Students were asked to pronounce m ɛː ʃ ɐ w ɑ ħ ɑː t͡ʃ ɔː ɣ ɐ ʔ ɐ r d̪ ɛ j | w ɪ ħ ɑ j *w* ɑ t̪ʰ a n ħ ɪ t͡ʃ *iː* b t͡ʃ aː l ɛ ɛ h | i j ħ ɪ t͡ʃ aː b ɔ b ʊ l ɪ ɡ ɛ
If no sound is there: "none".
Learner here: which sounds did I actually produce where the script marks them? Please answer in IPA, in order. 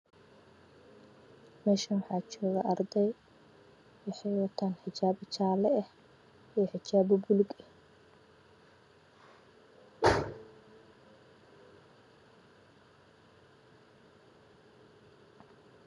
w, aː

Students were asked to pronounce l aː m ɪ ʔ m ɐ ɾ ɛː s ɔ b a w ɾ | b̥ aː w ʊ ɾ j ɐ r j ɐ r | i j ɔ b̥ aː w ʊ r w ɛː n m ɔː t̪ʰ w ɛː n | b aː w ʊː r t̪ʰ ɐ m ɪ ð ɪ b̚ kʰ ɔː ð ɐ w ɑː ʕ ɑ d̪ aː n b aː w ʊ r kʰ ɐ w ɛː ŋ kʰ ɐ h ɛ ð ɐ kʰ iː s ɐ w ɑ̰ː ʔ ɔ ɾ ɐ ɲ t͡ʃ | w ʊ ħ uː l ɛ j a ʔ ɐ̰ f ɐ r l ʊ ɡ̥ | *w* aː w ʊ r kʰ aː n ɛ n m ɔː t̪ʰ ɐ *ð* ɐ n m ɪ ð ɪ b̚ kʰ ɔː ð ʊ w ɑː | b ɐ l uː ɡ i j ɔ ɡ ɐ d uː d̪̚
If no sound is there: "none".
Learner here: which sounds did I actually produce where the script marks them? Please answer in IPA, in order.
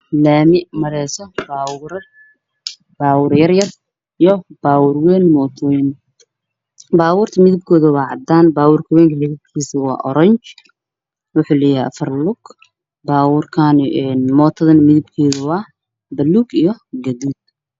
b, ð

